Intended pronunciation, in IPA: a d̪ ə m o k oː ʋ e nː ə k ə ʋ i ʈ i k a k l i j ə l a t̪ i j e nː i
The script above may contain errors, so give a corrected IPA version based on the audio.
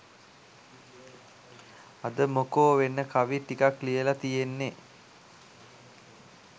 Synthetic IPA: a d̪ ə m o k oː ʋ e nː ə k a ʋ i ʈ i k a k l i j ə l a t̪ i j e nː e